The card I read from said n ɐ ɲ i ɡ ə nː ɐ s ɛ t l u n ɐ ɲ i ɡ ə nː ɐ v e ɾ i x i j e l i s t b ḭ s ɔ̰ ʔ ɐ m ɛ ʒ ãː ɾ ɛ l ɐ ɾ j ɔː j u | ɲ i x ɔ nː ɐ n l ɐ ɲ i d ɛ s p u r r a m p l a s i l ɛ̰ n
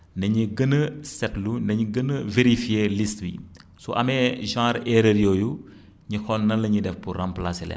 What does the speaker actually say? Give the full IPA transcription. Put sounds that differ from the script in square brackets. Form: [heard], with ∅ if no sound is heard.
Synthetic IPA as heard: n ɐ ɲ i ɡ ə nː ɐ s ɛ t l u n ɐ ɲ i ɡ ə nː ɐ v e ɾ i [f] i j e l i s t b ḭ s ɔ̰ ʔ ɐ m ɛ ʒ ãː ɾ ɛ [ɾ] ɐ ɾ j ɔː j u | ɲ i x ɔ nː ɐ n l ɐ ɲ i d ɛ [f] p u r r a m p l a s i l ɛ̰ n